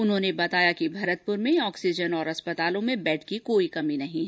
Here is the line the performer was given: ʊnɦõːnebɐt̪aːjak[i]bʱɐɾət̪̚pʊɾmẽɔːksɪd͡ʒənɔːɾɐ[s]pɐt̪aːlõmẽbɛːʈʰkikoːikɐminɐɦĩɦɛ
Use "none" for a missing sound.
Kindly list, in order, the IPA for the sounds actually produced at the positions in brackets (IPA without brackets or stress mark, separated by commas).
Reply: i, s